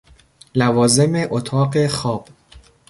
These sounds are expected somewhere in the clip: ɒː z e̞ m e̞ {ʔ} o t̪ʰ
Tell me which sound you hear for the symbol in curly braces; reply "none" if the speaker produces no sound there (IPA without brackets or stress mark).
ʔ